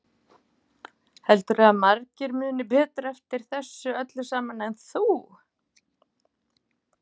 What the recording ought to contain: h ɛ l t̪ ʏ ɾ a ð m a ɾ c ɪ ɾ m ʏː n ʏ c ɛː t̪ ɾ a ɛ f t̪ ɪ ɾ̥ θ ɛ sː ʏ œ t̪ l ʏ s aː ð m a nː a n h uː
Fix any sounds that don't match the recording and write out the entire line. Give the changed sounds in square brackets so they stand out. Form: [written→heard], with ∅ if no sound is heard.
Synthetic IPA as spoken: h ɛ l t̪ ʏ ɾ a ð m a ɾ c ɪ ɾ m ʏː n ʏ [c→p] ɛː t̪ ɾ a ɛ f t̪ ɪ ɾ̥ θ ɛ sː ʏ œ t̪ l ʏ s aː [ð→∅] m a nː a n [h→θ] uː